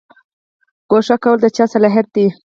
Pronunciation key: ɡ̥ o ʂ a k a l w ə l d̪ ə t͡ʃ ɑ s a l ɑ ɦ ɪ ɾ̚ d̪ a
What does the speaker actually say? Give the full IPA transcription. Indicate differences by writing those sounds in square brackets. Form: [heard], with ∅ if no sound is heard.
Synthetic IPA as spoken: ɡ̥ o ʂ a k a [∅] w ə l d̪ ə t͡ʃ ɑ s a l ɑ ɦ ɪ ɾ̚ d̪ [i]